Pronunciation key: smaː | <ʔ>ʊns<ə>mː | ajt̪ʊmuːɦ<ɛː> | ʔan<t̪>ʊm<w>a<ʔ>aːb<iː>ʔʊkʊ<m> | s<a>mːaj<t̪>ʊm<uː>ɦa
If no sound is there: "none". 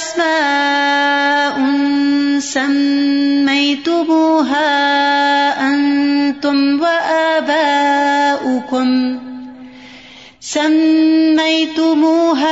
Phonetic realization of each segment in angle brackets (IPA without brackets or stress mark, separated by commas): ʔ, a, aː, t̪, w, ʔ, aː, m, a, t̪, uː